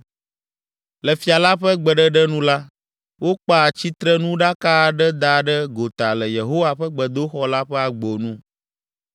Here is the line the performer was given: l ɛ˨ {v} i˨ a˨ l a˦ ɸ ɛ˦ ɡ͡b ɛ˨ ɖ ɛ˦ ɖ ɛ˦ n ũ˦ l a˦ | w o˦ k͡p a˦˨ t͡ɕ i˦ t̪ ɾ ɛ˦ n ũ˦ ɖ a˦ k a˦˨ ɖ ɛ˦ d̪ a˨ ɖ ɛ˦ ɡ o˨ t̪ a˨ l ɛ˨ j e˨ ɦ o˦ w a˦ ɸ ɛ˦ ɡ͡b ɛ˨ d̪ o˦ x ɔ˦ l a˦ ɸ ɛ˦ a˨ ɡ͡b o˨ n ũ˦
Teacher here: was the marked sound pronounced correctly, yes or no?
no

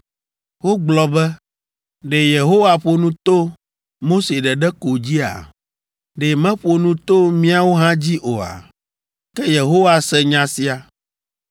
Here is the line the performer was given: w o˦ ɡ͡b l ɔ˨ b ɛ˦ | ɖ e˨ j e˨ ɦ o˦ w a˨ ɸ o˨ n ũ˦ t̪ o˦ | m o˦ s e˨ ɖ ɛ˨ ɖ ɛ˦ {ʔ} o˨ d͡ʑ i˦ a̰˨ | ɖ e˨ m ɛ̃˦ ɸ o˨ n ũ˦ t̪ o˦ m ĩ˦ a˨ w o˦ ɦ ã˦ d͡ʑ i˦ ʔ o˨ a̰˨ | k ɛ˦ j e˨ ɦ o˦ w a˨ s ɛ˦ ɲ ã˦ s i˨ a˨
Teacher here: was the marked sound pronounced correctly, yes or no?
no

